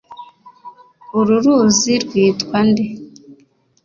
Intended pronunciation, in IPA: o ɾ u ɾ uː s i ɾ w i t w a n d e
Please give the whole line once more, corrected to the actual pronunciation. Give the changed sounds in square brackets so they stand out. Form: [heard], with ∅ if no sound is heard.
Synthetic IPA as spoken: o ɾ u ɾ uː [z] i ɾ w [iː] t w a n d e